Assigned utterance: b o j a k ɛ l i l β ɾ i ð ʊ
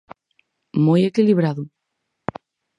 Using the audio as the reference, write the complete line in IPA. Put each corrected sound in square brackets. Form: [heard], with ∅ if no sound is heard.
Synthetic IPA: [m] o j [e] k [i] l i [∅] β ɾ [a] ð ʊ